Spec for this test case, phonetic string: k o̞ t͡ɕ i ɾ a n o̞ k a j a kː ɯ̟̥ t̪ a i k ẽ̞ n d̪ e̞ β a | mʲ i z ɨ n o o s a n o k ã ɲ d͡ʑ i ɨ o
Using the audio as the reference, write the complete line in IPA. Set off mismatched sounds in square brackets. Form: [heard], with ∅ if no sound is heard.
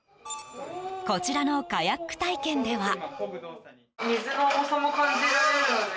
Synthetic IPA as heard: k o̞ t͡ɕ i ɾ a n o̞ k a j a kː ɯ̟̥ t̪ a i k ẽ̞ n d̪ e̞ β a | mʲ i z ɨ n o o s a [m] o k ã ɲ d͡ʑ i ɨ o